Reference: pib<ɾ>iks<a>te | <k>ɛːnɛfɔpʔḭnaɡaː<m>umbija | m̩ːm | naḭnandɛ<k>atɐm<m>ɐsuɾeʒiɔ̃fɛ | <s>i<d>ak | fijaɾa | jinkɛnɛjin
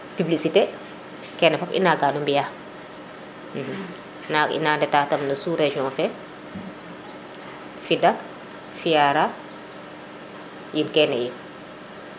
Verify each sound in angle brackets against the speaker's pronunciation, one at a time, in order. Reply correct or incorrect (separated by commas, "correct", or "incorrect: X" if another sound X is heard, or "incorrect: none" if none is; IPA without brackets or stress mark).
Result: incorrect: l, incorrect: i, correct, incorrect: n, incorrect: t, incorrect: n, incorrect: f, correct